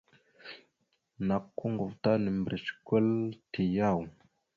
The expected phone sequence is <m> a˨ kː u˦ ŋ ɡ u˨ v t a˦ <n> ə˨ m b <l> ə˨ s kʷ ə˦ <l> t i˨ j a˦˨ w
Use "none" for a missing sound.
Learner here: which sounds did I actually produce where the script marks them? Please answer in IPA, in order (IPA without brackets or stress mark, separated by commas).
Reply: n, n, ɾ, l